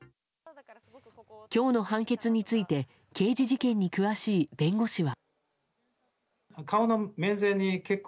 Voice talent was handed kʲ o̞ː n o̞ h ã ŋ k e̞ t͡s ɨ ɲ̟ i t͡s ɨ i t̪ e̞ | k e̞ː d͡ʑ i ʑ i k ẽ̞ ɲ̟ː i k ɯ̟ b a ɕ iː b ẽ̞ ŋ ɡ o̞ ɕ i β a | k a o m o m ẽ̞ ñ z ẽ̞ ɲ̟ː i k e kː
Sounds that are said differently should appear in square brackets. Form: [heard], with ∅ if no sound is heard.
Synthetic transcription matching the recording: kʲ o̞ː n o̞ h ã ŋ k e̞ t͡s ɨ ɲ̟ i t͡s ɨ i t̪ e̞ | k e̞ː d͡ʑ i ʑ i k ẽ̞ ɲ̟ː i k ɯ̟ [β] a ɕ iː b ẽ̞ ŋ ɡ o̞ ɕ i β a | k a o [n] o m ẽ̞ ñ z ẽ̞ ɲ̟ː i k e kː